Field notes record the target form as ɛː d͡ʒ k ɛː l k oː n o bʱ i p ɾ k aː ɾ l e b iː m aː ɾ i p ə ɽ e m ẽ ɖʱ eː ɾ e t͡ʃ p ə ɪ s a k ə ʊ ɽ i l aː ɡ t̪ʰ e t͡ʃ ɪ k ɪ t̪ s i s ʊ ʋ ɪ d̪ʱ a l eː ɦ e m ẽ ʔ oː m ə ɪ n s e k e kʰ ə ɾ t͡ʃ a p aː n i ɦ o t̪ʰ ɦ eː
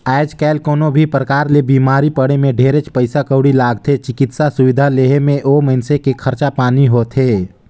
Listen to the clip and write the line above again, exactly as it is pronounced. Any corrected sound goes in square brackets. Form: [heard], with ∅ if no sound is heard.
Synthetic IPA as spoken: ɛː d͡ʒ k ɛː l k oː n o bʱ i p ɾ k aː ɾ l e b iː m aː ɾ i p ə ɽ e m ẽ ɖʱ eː ɾ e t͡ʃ p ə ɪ s a k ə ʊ ɽ i l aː ɡ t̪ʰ e t͡ʃ ɪ k ɪ t̪ s [a] s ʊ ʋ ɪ d̪ʱ a l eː ɦ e m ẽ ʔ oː m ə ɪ n s e k e kʰ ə ɾ t͡ʃ a p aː n i ɦ o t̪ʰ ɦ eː